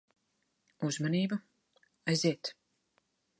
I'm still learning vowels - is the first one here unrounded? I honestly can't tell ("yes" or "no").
no